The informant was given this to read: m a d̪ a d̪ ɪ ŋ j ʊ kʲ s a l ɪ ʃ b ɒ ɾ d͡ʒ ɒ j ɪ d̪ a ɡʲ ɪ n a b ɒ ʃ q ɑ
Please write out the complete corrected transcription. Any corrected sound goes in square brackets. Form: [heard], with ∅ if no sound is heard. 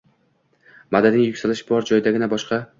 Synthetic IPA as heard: m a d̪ a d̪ ɪ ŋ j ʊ kʲ s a l ɪ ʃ b ɒ ɾ d͡ʒ ɒ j ɪ d̪ a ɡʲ ɪ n a b ɒ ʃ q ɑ